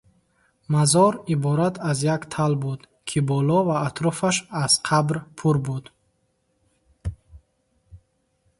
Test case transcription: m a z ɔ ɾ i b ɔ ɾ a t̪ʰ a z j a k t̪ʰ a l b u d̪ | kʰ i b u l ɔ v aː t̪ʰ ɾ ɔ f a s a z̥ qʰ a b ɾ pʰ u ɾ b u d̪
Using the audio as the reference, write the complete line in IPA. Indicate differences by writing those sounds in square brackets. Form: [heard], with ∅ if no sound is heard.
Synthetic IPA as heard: m a z ɔ ɾ i b ɔ ɾ a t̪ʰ a z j a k t̪ʰ a l b u d̪ | kʰ i b [ɔ] l ɔ v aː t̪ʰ ɾ ɔ f a [ʃ] a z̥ qʰ a b ɾ pʰ u ɾ b u d̪